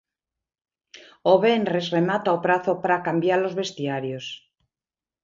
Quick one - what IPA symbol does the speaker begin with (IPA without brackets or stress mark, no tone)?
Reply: o